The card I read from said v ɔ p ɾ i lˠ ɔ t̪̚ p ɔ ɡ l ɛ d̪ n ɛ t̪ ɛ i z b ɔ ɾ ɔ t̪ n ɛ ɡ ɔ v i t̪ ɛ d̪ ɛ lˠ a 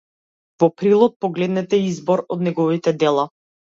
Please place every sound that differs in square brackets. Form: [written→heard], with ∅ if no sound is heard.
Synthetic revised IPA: v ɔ p ɾ i lˠ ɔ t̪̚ p ɔ ɡ l ɛ d̪ n ɛ t̪ ɛ i z b ɔ ɾ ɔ [t̪→d̪] n ɛ ɡ ɔ v i t̪ ɛ d̪ ɛ lˠ a